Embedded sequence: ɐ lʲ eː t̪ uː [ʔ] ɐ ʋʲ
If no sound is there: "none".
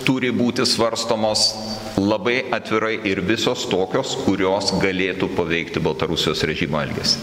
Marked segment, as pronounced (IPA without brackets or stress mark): p